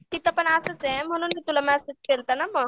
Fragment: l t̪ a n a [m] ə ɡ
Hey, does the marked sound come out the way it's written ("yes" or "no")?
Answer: yes